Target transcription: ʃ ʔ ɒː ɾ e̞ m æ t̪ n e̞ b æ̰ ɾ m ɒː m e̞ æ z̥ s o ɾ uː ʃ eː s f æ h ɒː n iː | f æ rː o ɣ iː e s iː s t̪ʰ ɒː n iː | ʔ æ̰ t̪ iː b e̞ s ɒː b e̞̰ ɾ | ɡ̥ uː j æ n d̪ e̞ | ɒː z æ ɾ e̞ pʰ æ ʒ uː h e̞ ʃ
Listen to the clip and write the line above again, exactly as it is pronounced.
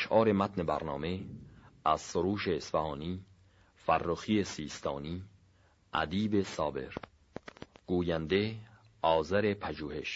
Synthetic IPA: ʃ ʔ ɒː ɾ e̞ m æ t̪ n e̞ b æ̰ ɾ n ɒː m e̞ æ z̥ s o ɾ uː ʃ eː s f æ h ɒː n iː | f æ rː o x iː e s iː s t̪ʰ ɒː n iː | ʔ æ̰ d̪ iː b e̞ s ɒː b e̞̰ ɾ | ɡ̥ uː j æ n d̪ e̞ | ɒː z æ ɾ e̞ pʰ æ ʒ uː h e̞ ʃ